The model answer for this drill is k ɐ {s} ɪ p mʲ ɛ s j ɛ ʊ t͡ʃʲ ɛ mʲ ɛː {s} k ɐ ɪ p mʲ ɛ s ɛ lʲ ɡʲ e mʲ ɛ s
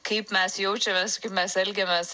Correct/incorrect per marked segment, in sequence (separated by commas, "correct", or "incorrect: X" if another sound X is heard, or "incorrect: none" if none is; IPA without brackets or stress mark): incorrect: none, correct